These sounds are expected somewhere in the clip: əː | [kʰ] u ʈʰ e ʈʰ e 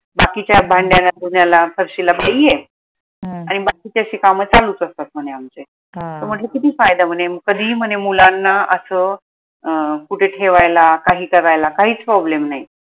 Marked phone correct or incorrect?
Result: incorrect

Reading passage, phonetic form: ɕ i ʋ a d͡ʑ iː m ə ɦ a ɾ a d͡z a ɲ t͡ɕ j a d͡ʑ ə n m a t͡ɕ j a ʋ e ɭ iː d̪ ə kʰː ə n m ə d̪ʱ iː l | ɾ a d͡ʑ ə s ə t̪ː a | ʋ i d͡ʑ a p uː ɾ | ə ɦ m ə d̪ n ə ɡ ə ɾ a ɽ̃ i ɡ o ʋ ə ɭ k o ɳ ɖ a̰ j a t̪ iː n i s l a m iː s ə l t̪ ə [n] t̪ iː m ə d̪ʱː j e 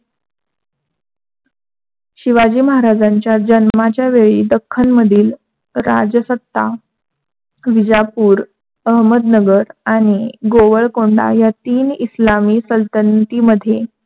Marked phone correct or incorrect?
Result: correct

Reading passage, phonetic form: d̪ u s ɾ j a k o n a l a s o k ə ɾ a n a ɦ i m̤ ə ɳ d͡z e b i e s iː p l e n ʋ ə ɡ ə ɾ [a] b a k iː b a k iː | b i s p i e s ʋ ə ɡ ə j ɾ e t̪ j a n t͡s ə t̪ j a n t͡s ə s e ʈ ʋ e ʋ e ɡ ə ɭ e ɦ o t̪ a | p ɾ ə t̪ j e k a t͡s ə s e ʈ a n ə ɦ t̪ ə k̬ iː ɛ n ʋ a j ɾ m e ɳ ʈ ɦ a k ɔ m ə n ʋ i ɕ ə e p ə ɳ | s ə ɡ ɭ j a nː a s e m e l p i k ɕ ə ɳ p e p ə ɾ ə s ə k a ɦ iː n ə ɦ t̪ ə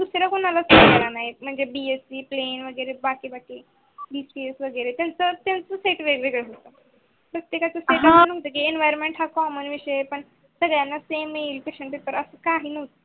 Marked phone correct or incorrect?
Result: incorrect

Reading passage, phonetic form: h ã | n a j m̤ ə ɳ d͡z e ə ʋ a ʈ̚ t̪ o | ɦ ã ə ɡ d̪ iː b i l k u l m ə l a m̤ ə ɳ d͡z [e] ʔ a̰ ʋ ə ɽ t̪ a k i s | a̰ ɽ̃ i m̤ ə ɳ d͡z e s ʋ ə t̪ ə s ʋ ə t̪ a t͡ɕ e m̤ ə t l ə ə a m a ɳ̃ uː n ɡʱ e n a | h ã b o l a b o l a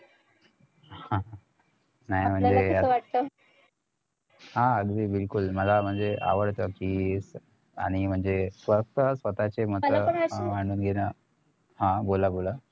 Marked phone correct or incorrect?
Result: correct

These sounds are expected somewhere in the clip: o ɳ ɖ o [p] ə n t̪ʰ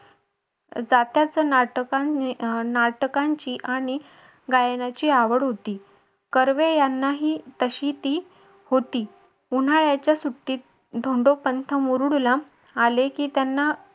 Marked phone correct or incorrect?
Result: correct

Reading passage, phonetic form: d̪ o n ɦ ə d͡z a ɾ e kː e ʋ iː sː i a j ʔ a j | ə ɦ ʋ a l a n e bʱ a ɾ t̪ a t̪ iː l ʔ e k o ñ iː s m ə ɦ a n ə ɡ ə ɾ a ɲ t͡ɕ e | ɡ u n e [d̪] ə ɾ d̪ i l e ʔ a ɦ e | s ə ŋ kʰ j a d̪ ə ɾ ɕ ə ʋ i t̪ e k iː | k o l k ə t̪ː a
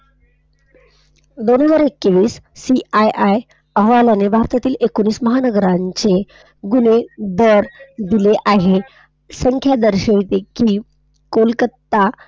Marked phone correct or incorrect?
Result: correct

